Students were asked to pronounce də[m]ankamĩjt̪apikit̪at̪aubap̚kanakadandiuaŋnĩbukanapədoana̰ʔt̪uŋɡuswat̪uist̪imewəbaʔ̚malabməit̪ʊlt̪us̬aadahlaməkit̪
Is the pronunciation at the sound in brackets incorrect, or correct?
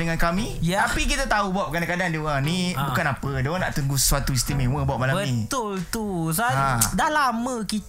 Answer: incorrect